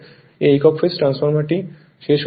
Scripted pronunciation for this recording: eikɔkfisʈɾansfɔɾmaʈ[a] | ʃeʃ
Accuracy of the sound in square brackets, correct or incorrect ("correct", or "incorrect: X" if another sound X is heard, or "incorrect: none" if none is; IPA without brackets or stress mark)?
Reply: incorrect: i